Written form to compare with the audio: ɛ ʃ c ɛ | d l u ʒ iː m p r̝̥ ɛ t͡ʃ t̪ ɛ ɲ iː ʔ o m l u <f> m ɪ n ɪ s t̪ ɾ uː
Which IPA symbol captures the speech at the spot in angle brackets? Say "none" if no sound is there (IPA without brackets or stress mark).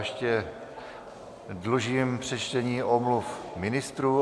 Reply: f